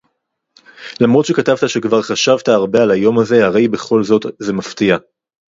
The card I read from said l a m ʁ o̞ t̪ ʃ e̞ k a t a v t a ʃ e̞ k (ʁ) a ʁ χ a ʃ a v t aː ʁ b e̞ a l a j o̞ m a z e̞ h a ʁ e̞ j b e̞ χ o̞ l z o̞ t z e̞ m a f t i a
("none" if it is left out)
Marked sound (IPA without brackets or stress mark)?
v